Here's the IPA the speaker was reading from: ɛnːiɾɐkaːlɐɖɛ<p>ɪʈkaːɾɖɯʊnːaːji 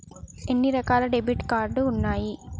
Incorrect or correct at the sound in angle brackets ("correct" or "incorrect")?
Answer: incorrect